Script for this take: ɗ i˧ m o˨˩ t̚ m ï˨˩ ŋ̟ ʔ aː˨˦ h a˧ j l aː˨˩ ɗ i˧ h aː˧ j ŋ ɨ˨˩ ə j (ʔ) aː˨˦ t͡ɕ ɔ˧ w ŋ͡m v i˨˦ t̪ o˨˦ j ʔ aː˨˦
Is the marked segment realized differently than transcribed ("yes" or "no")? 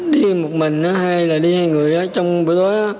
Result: no